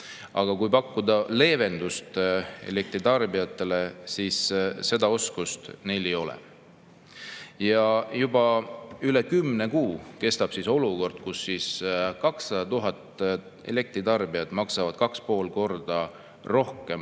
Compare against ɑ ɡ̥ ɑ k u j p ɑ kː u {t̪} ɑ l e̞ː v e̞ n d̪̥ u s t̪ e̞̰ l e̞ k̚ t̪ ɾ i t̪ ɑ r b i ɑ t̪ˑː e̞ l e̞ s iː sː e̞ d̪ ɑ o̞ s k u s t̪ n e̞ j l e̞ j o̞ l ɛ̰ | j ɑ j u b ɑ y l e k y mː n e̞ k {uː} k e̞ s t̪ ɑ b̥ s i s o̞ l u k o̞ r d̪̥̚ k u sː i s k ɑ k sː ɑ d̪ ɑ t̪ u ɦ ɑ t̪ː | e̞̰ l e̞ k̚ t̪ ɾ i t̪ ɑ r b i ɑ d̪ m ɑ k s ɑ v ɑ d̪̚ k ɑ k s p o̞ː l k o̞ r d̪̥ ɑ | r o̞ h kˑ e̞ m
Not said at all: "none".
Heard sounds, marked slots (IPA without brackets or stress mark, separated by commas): d̪, uː